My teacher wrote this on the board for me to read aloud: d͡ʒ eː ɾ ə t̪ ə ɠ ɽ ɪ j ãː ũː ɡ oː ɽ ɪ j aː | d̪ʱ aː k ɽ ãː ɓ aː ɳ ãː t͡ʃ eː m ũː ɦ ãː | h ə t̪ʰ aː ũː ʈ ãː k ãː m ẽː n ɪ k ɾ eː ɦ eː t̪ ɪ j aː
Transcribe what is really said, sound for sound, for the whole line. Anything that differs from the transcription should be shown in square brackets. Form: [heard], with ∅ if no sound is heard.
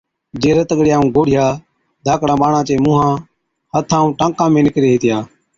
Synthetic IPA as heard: d͡ʒ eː ɾ ə t̪ ə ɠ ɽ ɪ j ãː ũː ɡ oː ɽ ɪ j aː | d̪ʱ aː k ɽ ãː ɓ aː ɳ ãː t͡ʃ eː m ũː ɦ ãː | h ə t̪ʰ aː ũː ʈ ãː k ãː m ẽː n ɪ k ɾ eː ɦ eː t̪ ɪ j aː